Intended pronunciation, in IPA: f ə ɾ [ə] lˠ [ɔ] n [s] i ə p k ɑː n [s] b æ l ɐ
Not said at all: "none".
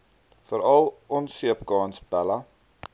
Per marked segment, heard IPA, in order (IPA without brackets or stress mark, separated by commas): ɐ, ɔ, s, s